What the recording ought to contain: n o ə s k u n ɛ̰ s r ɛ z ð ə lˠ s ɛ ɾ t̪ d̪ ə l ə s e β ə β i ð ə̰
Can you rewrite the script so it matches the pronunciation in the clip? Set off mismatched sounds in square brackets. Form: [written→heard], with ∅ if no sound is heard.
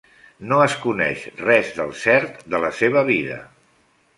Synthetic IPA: n o ə s k u n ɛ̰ [s→ʃ] r ɛ z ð ə lˠ s ɛ ɾ t̪ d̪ ə l ə s e β ə β i ð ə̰

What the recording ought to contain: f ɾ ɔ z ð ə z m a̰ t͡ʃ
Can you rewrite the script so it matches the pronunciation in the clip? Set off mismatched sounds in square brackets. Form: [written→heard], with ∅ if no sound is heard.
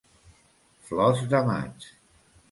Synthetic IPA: f [ɾ→l] ɔ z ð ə [z→∅] m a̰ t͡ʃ

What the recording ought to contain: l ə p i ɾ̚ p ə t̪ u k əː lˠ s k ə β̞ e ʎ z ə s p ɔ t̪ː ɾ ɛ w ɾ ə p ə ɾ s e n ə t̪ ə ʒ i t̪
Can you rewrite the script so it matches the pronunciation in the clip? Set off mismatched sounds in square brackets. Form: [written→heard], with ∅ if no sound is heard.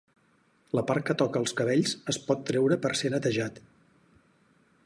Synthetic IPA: l ə p [i→a] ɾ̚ [p→k] ə t̪ [u→ɔ] k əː lˠ s k ə β̞ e ʎ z ə s p ɔ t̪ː ɾ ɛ w ɾ ə p ə ɾ s e n ə t̪ ə ʒ [i→a] t̪

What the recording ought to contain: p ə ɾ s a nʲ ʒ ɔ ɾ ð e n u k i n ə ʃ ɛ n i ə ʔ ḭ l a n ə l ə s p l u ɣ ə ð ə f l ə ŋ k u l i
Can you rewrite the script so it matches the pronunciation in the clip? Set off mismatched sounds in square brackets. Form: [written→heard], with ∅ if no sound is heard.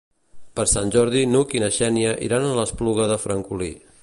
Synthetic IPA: p ə ɾ s a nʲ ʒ ɔ ɾ ð [e→i] n u k i n ə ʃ ɛ n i ə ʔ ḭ [l→ɾ] a n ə l ə s p l u ɣ ə ð ə f [l→ɾ] ə ŋ k u l i

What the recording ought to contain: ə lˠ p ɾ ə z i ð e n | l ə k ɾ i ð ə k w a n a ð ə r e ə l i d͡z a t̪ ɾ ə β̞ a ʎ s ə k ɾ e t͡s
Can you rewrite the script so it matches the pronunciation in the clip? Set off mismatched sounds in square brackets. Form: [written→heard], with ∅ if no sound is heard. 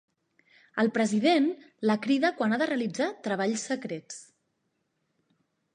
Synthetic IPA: ə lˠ p ɾ ə z i ð e n | l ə k ɾ i ð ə k w a n a ð ə r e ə l i d͡z a t̪ ɾ ə β̞ a ʎ s ə k ɾ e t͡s

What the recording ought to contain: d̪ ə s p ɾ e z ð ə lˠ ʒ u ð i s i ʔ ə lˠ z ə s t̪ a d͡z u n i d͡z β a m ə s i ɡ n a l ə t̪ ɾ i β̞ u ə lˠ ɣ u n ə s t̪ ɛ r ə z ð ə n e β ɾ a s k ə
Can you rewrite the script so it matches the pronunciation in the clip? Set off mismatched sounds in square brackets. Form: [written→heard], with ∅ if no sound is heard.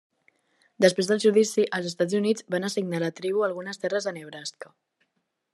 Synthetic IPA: d̪ ə s p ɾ e z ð ə lˠ ʒ u ð i s i ʔ ə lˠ z ə s t̪ a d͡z u n i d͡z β a [m→n] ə s i ɡ n a l ə t̪ ɾ i β̞ u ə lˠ ɣ u n ə s t̪ ɛ r ə z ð ə n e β ɾ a s k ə

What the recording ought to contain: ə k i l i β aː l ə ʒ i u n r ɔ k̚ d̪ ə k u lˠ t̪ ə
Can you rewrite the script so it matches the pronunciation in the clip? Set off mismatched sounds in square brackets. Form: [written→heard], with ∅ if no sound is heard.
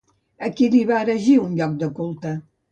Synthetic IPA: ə k i l i β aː [l→ɾ] ə ʒ i u n [r→ʎ] ɔ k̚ d̪ ə k u lˠ t̪ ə

